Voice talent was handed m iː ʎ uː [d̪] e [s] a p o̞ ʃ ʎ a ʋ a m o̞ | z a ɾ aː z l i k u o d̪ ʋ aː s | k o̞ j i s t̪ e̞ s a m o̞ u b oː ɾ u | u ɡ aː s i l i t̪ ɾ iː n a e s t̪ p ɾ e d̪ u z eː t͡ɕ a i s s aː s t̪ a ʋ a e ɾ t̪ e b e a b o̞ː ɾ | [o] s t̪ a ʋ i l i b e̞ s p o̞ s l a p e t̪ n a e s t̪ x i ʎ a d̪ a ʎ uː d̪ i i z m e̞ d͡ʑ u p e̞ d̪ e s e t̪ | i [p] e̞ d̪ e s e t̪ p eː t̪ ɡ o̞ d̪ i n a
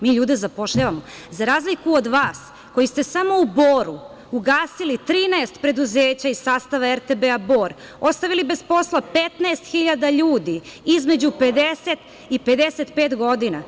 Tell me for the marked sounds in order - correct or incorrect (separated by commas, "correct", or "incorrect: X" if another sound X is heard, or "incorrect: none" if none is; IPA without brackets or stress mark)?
correct, incorrect: z, correct, correct